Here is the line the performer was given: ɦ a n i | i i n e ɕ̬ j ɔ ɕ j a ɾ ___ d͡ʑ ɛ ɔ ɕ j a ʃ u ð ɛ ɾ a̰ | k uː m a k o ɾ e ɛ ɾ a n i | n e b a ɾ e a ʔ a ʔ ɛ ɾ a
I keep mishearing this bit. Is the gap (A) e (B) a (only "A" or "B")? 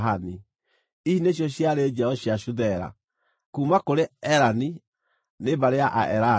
A